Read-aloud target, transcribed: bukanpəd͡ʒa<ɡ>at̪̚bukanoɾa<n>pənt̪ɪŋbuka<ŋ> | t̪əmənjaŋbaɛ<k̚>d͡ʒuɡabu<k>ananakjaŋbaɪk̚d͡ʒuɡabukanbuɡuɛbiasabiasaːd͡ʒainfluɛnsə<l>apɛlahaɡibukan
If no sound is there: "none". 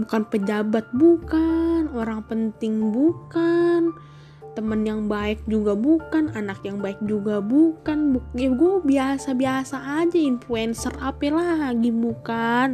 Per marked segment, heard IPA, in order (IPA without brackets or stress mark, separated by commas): b, ŋ, n, k̚, k, r